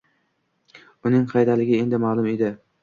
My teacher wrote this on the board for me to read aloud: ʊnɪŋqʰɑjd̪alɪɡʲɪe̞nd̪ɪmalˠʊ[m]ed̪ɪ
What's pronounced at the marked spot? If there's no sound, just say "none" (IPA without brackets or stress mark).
m